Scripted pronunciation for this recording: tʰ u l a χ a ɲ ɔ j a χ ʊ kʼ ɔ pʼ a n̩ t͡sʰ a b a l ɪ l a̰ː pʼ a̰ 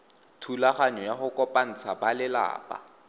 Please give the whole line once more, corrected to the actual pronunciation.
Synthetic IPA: tʰ u l a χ a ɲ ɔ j a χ ʊ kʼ ɔ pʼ a n̩ t͡sʰ a b a l ɪ l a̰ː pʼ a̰